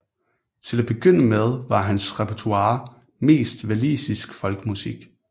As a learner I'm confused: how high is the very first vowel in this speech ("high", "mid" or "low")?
mid